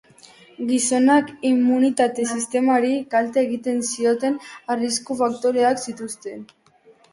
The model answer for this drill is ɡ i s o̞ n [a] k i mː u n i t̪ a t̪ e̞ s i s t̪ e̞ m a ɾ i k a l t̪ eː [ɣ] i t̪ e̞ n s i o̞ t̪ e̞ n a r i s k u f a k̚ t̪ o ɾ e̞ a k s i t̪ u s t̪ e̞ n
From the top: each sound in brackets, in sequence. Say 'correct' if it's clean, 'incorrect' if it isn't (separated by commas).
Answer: correct, correct